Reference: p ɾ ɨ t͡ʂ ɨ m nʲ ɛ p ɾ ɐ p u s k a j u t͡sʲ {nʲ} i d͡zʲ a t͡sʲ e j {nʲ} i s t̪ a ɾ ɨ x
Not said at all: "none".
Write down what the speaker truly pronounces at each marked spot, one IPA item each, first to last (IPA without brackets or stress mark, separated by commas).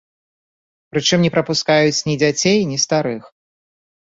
nʲ, nʲ